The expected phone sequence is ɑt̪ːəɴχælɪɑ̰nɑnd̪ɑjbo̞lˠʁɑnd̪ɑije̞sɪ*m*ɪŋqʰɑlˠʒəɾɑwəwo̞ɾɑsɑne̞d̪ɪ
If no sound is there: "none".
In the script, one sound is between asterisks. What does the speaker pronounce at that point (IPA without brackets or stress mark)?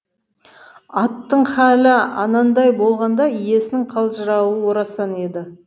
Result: n